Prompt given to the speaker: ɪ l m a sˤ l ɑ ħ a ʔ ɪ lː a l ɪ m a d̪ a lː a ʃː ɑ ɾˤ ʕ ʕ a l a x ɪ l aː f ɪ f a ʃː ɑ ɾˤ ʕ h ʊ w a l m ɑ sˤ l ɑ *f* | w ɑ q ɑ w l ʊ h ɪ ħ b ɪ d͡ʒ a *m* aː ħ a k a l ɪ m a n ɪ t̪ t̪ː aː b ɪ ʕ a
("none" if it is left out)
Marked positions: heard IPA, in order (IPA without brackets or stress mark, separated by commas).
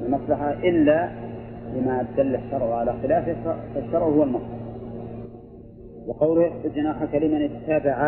ħ, n